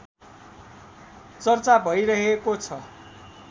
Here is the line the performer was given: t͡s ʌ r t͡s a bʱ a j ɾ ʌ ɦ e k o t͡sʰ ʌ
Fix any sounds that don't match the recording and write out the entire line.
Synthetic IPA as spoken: t͡s ʌ r t͡s a bʱ ʌ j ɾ ʌ ɦ e k o t͡sʰ ʌ

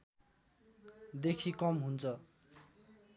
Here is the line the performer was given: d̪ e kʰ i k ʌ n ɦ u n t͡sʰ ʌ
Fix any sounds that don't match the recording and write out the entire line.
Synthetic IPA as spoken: d̪ e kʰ i k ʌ m ɦ u n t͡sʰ ʌ

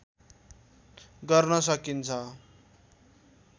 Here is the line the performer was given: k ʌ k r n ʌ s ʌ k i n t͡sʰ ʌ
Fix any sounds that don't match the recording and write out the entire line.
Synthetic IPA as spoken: ɡ ʌ r n ʌ s ʌ k i n t͡sʰ ʌ

